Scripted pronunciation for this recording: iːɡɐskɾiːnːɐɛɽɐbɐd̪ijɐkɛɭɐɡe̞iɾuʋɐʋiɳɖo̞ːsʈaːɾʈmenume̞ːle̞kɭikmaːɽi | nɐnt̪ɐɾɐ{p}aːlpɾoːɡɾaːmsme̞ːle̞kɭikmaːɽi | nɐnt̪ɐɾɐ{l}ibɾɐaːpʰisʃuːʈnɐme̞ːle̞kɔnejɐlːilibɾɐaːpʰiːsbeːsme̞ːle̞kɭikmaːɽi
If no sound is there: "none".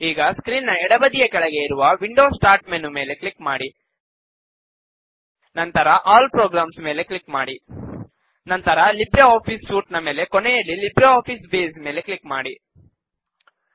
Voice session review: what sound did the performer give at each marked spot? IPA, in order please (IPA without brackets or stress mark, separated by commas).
ʔ, l